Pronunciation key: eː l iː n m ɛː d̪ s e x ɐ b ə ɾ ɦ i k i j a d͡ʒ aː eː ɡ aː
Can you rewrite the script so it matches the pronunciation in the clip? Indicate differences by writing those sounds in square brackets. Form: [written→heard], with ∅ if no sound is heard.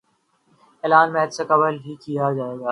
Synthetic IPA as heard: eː l [iː→aː] n m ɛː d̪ s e [x→k] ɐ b ə [ɾ→l] ɦ i k i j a d͡ʒ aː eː ɡ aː